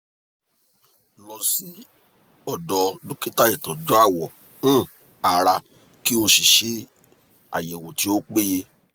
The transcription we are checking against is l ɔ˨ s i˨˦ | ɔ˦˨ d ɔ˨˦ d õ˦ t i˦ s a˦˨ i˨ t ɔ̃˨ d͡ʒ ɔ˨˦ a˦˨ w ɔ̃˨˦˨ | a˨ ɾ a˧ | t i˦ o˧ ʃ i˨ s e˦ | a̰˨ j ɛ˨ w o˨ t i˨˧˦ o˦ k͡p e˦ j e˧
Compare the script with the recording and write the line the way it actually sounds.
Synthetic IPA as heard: l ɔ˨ s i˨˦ | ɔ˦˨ d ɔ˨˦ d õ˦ k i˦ t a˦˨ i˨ t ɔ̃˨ d͡ʒ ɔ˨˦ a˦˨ w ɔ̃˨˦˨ | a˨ ɾ a˧ | k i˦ o˧ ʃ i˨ ʃ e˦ | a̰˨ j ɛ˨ w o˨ t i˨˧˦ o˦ k͡p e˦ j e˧